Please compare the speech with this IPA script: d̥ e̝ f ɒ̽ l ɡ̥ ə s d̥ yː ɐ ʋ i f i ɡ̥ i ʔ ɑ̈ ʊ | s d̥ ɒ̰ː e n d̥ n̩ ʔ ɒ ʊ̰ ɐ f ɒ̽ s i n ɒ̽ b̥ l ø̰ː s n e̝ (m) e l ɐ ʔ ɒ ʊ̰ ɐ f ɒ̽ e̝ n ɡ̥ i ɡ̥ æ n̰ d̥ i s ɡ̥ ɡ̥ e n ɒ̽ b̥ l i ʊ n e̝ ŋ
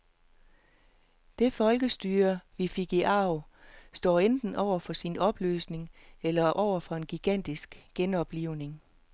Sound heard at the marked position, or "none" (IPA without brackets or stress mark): ŋ